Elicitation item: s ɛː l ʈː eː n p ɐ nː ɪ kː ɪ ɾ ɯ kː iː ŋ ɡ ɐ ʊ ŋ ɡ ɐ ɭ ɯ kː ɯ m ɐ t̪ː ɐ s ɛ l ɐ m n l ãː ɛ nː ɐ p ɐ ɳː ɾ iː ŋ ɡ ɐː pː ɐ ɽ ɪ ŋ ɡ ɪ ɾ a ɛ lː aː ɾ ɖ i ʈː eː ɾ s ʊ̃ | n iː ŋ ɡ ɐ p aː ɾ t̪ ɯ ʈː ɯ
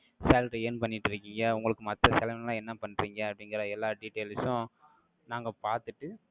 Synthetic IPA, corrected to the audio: s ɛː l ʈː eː n p ɐ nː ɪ ʈː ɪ ɾ ɯ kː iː ŋ ɡ ɐ ʊ ŋ ɡ ɐ ɭ ɯ kː ɯ m ɐ t̪ː ɐ s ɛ l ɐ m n l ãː ɛ nː ɐ p ɐ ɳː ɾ iː ŋ ɡ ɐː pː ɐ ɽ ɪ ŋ ɡ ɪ ɾ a ɛ lː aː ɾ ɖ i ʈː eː l s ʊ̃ | n aː ŋ ɡ ɐ p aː ɾ t̪ ɯ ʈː ɯ